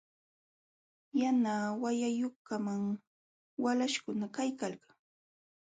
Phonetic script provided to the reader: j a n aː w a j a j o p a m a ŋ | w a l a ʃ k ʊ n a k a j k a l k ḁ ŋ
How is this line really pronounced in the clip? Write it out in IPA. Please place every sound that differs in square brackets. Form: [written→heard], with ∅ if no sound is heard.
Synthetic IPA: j a n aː w a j a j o [p→k] a m a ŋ | w a l a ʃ k ʊ n a k a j k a l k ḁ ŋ